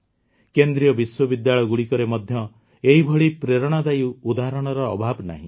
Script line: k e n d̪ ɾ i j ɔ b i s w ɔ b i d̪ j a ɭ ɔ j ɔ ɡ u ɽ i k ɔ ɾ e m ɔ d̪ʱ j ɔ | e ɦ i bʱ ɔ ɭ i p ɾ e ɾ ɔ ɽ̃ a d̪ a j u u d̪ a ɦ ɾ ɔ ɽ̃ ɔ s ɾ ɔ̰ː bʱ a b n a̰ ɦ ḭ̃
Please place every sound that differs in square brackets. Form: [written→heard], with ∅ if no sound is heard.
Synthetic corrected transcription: k e n d̪ ɾ i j ɔ b i s w ɔ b i d̪ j a ɭ ɔ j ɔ ɡ u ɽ i k ɔ ɾ e m ɔ d̪ʱ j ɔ | e ɦ i bʱ ɔ ɭ i p ɾ e ɾ ɔ ɽ̃ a d̪ a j u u d̪ a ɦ ɾ ɔ ɽ̃ ɔ [s→∅] ɾ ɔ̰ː bʱ a b n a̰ ɦ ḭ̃